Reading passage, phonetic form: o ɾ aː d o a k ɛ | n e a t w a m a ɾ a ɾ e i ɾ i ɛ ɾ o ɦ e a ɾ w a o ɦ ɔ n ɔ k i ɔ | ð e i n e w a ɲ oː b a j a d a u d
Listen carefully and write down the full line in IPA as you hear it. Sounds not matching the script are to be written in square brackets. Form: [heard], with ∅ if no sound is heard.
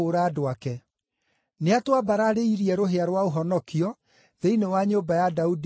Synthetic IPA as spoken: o ɾ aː d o a k ɛ | n e a t w a [b] a ɾ a ɾ e i ɾ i ɛ ɾ o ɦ e a ɾ w a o ɦ ɔ n ɔ k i ɔ | ð e i n e w a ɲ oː b a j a d a u d